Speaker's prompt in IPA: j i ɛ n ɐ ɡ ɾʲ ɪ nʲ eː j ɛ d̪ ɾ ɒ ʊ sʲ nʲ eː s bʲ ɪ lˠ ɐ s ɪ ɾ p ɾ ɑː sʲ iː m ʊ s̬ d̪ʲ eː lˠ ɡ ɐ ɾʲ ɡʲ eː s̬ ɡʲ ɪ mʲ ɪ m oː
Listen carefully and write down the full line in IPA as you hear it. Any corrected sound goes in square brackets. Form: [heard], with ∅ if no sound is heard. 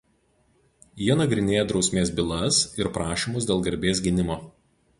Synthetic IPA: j i ɛ n ɐ ɡ ɾʲ ɪ nʲ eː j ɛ d̪ ɾ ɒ ʊ sʲ [mʲ] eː s bʲ ɪ lˠ ɐ s ɪ ɾ p ɾ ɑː [ʃʲ] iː m ʊ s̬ d̪ʲ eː lˠ ɡ ɐ ɾʲ [bʲ] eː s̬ ɡʲ ɪ [nʲ] ɪ m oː